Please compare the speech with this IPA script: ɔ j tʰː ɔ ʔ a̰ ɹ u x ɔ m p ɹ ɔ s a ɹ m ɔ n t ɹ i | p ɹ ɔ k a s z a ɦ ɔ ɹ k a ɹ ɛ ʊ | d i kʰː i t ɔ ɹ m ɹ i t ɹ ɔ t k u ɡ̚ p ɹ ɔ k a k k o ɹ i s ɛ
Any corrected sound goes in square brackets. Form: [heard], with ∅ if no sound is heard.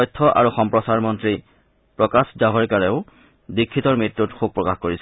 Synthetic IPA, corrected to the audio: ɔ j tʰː ɔ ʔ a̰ ɹ u x ɔ m p ɹ ɔ s a ɹ m ɔ n t ɹ i | p ɹ ɔ k a s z a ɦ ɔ ɹ k a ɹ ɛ ʊ | d i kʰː i t ɔ ɹ m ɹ i t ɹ [u] t [x] u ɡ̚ p ɹ ɔ k a [x] k o ɹ i s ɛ